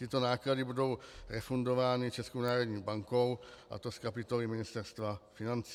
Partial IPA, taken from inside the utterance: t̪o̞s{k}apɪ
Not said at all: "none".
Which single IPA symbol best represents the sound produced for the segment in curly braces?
k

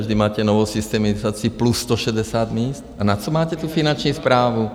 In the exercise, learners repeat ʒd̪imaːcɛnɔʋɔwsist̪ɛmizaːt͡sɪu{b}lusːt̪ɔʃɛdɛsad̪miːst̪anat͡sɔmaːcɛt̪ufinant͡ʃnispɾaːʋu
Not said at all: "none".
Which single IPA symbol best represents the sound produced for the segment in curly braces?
p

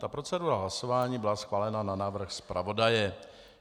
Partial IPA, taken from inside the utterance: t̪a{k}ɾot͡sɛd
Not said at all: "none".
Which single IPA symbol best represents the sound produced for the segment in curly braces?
p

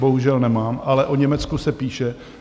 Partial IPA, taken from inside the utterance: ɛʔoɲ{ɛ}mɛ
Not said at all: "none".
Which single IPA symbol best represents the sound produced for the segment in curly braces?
ɛ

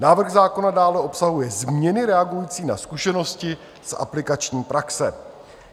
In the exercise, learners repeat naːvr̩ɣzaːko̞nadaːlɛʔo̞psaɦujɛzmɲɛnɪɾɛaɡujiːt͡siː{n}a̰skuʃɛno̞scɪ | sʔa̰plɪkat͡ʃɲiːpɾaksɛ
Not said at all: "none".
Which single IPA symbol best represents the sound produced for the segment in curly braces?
n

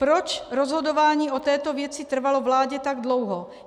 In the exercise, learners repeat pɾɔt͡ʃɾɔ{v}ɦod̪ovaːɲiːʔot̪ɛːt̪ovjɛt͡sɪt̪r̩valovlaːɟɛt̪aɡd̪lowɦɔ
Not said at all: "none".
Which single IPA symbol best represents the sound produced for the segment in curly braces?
z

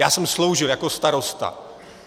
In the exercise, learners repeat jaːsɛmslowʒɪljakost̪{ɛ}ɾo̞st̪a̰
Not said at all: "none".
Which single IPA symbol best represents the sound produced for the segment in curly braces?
a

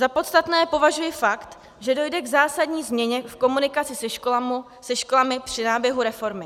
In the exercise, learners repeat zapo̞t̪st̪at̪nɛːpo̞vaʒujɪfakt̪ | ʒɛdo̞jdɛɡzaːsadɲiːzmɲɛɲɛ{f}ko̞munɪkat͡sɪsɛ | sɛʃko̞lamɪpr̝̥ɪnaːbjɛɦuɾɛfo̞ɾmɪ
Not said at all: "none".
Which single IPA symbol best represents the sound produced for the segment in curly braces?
f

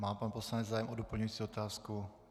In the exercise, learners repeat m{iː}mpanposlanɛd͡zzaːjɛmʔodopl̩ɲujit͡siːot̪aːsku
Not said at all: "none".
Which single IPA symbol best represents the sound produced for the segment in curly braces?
aː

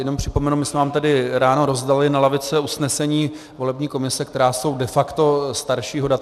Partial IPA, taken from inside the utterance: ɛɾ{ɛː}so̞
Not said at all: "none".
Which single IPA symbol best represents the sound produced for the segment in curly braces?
aː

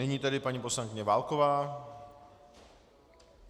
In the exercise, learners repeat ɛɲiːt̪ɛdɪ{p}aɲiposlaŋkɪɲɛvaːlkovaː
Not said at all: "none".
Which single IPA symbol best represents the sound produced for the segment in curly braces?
p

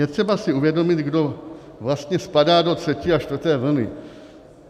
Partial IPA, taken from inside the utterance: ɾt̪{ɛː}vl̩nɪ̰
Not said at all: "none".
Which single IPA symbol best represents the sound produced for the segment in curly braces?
ɛː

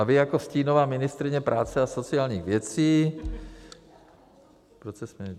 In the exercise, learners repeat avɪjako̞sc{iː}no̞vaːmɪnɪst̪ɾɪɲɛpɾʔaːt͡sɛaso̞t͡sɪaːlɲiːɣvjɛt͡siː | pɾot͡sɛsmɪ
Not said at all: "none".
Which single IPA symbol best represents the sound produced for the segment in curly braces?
iː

